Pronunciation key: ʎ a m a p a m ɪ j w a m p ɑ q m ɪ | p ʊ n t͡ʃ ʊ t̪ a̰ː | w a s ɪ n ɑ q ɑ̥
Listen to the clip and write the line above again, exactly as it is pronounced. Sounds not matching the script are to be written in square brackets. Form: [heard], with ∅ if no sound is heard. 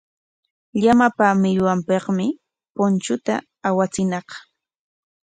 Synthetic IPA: ʎ a m a p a m ɪ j w a m p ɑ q m ɪ | p ʊ n t͡ʃ ʊ t̪ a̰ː | w a [t͡s] ɪ n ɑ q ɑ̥

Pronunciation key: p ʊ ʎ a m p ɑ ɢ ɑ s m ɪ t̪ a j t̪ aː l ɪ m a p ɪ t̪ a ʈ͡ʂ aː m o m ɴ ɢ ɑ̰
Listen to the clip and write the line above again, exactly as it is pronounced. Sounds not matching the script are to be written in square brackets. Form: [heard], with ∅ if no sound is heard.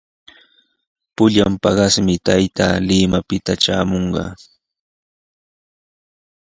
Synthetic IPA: p ʊ ʎ a m p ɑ ɢ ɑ s m ɪ t̪ a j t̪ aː l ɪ m a p ɪ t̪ a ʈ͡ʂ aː m o [∅] ɴ ɢ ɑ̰

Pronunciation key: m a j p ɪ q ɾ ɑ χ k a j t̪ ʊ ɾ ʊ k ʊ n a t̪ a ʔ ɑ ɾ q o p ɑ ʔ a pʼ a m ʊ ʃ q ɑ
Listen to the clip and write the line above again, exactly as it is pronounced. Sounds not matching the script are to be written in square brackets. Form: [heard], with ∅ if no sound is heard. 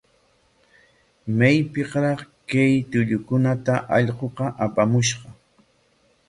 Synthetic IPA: m a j p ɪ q ɾ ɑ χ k a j t̪ ʊ [ʎ] ʊ k ʊ n a t̪ a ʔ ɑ [ʎ] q o [q] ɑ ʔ a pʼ a m ʊ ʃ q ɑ

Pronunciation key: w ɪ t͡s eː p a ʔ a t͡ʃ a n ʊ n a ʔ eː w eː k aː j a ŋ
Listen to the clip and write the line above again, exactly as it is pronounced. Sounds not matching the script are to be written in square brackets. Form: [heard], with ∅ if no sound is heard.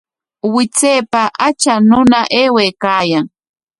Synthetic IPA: w ɪ t͡s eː p a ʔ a t͡ʃ a n ʊ n a ʔ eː w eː k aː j a ŋ

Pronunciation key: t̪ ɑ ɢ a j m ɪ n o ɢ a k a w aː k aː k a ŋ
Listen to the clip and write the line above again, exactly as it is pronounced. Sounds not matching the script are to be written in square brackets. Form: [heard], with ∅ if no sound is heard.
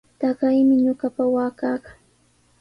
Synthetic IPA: t̪ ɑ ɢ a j m ɪ [ɲ] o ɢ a [p] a w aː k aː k a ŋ

